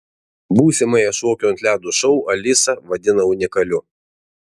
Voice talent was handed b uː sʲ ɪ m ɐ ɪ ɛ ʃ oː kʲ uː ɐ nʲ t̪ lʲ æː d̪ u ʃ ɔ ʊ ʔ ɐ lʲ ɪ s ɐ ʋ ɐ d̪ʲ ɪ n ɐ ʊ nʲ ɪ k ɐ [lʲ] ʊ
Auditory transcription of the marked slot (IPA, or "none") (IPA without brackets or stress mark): lʲ